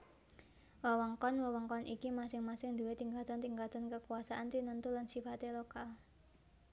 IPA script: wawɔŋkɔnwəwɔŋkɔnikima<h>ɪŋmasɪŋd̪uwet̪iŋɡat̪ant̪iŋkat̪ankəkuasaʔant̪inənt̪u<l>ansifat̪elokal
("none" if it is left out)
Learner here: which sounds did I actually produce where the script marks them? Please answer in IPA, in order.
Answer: s, l

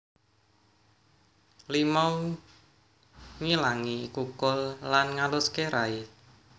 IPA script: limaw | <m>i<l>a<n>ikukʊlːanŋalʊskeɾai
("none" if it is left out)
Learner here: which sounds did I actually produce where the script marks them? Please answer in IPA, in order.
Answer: ŋ, l, ŋ

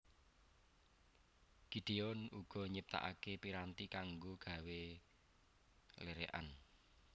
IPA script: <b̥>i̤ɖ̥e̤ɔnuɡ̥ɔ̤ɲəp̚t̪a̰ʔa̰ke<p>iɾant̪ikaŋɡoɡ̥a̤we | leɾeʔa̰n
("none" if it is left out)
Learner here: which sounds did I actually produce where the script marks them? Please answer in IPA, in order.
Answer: ɡ̥, p

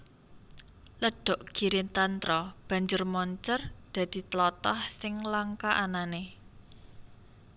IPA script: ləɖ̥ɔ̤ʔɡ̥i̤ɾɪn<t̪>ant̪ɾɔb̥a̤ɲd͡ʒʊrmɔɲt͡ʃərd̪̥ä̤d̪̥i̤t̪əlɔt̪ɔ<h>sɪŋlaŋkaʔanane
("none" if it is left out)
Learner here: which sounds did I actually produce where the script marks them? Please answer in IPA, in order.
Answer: t̪, h

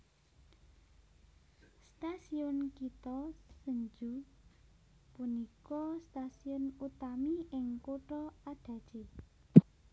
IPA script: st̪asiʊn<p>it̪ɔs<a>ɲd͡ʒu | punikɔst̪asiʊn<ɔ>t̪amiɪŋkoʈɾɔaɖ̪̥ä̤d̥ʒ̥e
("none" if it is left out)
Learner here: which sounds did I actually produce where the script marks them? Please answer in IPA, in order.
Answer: k, ə, u

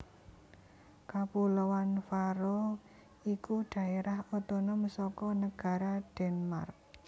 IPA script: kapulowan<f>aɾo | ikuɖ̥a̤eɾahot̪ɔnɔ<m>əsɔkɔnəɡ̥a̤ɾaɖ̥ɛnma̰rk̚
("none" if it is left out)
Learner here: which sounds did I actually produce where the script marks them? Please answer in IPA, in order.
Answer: f, m

